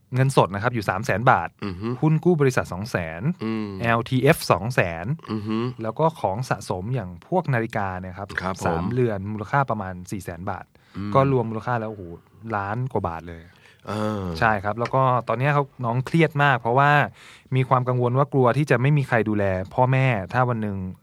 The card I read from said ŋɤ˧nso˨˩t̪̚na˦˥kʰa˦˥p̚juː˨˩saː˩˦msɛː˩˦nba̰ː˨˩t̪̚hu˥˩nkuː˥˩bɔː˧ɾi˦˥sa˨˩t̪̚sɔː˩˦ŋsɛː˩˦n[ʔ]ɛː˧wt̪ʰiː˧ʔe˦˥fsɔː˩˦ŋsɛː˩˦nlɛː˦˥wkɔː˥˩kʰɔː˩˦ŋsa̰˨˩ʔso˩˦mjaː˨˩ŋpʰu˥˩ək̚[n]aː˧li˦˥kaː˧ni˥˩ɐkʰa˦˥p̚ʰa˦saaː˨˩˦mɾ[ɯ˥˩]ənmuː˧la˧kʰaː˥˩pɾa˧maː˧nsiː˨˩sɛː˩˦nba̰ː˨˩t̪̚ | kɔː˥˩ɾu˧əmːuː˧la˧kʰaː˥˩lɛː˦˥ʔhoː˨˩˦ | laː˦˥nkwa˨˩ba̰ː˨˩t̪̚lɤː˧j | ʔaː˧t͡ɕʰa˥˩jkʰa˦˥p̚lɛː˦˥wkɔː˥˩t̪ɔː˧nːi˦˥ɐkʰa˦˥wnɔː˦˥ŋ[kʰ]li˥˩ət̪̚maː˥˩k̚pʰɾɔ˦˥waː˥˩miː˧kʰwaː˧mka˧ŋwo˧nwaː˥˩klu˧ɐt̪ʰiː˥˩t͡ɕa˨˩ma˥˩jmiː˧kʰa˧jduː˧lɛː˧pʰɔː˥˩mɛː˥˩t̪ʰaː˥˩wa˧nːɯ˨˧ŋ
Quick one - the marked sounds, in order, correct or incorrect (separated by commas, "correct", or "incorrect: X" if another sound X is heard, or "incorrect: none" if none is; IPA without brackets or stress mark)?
correct, correct, incorrect: ɯ˧, correct